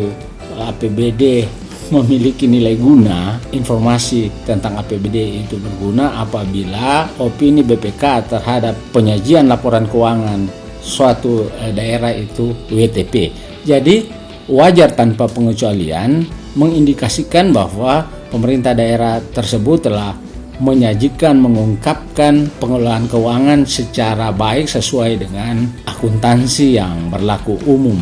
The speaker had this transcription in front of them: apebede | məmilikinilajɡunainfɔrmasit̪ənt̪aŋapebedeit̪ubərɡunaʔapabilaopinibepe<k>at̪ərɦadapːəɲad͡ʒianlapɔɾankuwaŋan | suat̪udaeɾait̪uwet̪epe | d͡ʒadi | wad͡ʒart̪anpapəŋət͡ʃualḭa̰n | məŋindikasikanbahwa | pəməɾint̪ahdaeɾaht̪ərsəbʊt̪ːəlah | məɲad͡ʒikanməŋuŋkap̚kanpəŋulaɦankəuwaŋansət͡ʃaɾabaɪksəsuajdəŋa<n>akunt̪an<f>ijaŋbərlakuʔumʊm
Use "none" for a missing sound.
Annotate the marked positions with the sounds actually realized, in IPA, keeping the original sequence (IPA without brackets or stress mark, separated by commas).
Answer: k, n, s